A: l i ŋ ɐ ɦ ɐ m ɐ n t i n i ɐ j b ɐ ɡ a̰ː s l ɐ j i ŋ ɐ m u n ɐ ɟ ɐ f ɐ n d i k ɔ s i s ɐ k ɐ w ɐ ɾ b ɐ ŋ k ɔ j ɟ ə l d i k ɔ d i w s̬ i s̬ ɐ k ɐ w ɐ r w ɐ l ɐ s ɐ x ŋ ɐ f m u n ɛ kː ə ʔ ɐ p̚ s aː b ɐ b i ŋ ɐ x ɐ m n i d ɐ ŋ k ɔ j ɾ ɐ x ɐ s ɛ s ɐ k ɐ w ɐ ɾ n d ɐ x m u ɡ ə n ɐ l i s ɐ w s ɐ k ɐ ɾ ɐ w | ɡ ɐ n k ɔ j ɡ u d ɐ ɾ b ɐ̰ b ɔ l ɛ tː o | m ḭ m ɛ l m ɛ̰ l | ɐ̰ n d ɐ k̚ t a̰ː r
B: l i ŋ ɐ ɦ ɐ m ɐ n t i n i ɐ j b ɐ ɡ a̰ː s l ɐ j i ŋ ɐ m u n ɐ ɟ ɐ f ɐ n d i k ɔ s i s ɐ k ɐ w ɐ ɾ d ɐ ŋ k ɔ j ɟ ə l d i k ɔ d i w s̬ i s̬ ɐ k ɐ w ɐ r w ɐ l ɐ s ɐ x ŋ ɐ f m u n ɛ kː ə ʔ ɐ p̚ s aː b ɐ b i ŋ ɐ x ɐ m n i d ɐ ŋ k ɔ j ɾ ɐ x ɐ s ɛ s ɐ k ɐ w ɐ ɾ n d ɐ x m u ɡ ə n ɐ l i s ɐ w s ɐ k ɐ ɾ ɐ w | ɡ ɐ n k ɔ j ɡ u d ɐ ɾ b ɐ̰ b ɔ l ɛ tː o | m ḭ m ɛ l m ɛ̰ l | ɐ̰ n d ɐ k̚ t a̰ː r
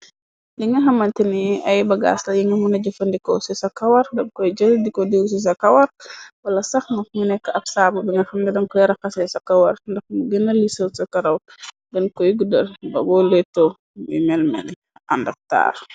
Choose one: B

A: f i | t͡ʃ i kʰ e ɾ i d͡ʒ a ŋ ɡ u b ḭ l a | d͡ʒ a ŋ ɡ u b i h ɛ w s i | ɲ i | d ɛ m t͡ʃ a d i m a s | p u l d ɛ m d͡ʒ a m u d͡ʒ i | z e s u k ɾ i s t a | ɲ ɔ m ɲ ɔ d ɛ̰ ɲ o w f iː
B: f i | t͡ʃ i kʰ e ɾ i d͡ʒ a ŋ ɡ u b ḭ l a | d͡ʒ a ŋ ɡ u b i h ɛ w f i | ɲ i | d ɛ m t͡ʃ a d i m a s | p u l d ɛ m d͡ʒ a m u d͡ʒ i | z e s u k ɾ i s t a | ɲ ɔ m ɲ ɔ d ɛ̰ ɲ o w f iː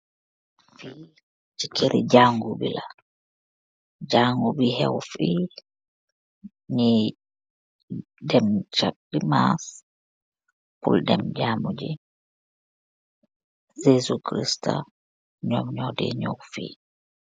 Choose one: B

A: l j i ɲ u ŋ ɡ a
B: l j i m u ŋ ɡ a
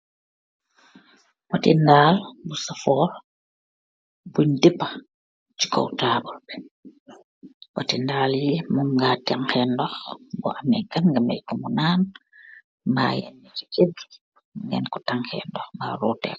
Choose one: B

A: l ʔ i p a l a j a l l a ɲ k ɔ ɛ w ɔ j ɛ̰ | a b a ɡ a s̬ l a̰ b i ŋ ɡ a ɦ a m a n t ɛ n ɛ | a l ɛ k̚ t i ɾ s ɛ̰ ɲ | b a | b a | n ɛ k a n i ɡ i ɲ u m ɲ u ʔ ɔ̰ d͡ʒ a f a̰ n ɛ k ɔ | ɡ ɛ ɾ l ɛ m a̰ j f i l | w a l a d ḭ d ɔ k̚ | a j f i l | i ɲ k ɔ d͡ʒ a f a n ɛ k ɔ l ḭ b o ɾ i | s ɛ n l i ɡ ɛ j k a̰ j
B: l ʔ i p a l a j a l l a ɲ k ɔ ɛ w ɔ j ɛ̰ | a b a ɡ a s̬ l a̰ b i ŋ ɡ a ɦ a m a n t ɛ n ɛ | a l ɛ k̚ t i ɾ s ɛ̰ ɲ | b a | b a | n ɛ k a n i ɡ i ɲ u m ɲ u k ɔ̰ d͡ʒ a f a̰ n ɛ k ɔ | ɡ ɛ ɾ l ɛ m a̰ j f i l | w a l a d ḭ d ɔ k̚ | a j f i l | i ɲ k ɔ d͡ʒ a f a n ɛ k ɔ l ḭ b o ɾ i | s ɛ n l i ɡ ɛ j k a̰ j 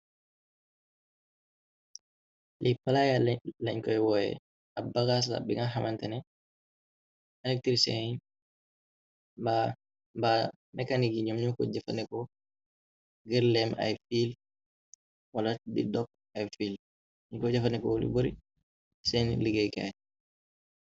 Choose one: B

